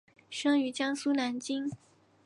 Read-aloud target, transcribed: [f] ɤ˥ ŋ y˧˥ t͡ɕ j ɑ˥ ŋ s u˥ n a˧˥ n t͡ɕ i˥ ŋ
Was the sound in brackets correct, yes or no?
no